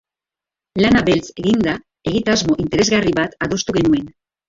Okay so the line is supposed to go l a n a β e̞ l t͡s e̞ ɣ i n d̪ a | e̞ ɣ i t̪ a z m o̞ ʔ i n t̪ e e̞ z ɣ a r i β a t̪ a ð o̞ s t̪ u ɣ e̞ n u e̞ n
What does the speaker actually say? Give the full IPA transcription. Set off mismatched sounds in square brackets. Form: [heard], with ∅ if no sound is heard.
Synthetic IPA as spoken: l a n a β e̞ l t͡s e̞ ɣ i n d̪ a | e̞ ɣ i t̪ a z m o̞ ʔ i n t̪ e e̞ z ɣ a r i β a t̪ a ð o̞ s t̪ u ɣ e̞ n u e̞ n